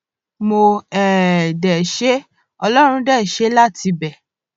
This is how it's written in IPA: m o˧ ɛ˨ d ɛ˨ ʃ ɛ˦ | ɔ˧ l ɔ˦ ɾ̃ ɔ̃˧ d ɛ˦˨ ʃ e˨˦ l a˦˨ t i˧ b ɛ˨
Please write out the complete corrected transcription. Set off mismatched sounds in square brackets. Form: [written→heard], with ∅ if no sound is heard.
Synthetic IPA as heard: m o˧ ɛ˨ d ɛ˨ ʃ [ɛ˦→e˦] | ɔ˧ l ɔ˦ ɾ̃ [ɔ̃˧→ũ˧] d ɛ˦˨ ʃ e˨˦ l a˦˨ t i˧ b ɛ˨